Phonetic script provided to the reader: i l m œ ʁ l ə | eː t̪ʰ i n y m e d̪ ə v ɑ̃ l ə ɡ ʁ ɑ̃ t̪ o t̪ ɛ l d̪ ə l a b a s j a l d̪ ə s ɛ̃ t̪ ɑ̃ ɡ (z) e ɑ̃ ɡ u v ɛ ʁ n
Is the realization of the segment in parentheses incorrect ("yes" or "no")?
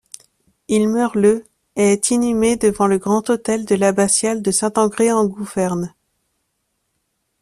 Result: yes